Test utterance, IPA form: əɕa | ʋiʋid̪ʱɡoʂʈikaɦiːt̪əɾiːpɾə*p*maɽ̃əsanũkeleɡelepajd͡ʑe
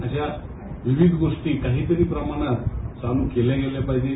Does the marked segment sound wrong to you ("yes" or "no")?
yes